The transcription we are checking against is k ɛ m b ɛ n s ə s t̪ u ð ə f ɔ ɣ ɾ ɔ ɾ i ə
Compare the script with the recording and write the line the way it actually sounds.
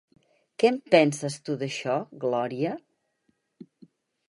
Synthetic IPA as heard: k ɛ m p ɛ n s ə s t̪ u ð ə ʃ ɔ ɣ l ɔ ɾ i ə